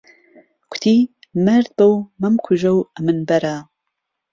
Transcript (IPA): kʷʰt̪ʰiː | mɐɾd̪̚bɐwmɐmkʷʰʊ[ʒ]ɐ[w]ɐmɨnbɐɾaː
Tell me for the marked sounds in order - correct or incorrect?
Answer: correct, correct

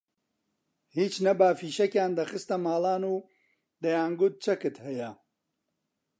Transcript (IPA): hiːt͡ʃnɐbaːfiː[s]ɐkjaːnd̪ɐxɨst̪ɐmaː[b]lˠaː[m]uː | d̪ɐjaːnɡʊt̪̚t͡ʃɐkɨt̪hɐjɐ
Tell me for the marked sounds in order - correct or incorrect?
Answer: incorrect, incorrect, incorrect

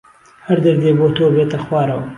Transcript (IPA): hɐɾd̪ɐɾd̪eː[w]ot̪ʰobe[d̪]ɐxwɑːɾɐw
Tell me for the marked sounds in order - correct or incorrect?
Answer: incorrect, incorrect

